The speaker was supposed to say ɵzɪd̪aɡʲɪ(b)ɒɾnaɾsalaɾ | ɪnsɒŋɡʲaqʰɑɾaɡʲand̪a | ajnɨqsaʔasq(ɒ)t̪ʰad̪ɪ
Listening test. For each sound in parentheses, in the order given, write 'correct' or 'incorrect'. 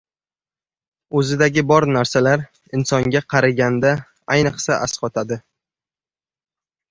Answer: correct, correct

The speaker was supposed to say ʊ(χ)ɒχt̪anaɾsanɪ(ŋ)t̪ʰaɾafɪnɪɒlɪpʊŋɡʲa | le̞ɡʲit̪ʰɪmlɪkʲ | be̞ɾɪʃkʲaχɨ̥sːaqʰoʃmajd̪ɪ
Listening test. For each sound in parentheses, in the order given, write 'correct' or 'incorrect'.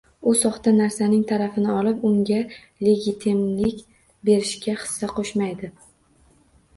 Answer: incorrect, correct

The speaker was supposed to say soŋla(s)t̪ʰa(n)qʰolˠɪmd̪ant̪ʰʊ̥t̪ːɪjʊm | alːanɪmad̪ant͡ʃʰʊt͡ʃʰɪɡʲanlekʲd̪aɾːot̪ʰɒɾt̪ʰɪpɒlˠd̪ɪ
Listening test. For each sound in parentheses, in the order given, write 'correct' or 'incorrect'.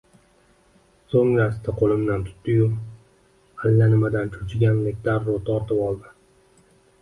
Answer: correct, incorrect

